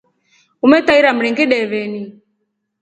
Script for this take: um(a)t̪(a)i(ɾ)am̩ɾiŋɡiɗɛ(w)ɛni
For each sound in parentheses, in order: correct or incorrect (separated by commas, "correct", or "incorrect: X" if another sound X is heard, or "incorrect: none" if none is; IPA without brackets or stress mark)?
incorrect: ɛ, correct, correct, incorrect: β